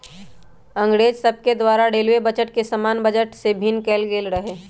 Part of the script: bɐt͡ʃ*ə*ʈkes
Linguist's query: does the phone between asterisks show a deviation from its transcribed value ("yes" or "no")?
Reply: no